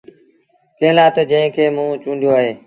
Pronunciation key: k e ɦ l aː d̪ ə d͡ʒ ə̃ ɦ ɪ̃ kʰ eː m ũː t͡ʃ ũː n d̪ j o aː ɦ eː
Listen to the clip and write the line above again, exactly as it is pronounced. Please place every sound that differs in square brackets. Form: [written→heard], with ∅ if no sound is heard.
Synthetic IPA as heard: k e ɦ l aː [d̪→t̪] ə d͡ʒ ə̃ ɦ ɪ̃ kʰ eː m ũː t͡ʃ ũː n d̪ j o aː ɦ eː